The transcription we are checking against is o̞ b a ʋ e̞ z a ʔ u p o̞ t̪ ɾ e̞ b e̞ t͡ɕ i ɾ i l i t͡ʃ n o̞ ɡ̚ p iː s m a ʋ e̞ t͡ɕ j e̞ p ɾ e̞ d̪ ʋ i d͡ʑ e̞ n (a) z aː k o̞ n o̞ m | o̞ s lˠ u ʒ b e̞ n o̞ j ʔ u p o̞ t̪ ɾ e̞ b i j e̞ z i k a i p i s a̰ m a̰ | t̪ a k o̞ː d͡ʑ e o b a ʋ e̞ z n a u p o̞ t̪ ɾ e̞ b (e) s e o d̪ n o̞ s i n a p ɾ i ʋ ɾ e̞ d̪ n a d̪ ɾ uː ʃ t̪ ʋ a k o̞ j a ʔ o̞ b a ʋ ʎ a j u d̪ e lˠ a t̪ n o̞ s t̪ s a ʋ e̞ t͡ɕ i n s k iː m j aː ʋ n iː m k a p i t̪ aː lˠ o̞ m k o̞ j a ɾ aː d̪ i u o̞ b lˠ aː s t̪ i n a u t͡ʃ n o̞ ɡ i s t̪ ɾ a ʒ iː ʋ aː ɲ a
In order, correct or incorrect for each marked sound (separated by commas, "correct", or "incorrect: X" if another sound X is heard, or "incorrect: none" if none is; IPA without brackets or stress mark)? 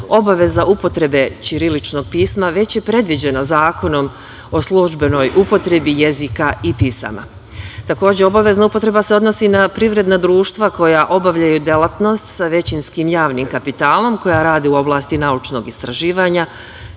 correct, incorrect: a